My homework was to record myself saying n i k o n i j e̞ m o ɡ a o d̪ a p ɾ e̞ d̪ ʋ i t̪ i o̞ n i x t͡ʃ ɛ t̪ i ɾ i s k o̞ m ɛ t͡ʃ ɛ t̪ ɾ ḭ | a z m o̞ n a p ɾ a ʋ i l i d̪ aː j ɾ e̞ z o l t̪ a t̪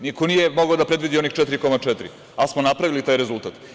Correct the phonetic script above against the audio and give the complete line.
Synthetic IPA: n i k o n i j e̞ m o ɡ a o d̪ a p ɾ e̞ d̪ ʋ i d̪ i o̞ n i x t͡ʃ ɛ t̪ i ɾ i k o̞ m a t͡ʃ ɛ t̪ ɾ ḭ | a s m o̞ n a p ɾ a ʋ i l i t̪ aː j ɾ e̞ z u l t̪ a t̪